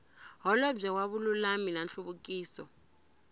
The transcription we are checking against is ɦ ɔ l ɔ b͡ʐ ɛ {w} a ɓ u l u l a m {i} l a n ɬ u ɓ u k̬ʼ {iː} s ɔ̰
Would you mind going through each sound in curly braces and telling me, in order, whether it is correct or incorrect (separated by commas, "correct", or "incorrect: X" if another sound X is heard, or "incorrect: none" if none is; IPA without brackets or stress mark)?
correct, correct, correct